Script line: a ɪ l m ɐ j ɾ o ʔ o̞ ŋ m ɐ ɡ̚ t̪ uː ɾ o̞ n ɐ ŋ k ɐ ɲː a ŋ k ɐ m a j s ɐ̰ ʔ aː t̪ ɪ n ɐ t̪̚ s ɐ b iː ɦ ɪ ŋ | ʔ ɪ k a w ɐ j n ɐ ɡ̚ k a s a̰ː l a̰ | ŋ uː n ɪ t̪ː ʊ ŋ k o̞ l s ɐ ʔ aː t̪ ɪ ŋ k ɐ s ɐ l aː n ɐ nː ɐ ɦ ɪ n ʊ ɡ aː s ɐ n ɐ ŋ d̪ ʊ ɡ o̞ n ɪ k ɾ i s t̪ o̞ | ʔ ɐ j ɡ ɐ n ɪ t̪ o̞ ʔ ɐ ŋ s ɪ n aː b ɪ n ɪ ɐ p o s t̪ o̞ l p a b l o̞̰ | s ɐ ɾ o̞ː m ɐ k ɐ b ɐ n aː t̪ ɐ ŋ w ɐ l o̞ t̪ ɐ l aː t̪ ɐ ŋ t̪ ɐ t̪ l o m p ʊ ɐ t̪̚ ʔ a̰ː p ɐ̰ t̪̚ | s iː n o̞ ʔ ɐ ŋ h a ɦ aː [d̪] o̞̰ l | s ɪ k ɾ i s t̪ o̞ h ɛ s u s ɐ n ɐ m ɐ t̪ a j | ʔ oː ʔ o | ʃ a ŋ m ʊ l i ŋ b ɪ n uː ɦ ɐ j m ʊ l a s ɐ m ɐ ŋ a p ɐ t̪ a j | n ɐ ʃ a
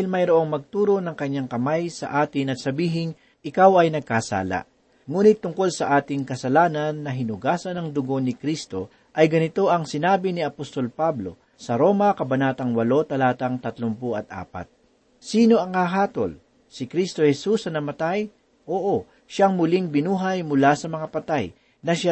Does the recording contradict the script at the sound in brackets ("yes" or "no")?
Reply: yes